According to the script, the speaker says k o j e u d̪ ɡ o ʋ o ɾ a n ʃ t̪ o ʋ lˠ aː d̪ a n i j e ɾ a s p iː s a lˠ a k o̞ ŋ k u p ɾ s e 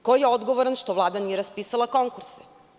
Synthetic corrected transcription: k o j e o d̪ ɡ o ʋ o ɾ a n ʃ t̪ o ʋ lˠ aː d̪ a n i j e ɾ a s p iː s a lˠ a k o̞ ŋ k u ɾ s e